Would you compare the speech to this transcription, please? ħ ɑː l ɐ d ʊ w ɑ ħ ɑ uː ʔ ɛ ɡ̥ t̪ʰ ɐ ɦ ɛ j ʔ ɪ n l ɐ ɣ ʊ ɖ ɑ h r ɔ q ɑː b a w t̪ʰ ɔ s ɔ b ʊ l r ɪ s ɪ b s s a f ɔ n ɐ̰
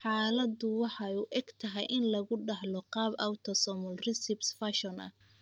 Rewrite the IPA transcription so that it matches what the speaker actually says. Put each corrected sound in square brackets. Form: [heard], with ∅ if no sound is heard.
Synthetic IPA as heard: ħ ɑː l ɐ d ʊ w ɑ ħ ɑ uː ʔ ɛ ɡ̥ t̪ʰ ɐ ɦ ɛ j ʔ ɪ n l ɐ ɣ ʊ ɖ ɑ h [l] ɔ q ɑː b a w t̪ʰ ɔ s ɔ [m] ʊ l r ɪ s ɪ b s [f] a [ʃ] ɔ n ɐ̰